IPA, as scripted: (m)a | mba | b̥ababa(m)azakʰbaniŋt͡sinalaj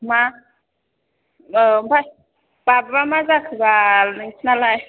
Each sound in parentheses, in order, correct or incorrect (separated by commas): correct, correct